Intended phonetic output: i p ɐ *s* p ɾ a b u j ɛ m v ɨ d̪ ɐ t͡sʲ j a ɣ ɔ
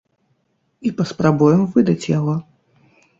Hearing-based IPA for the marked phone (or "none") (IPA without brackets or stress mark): s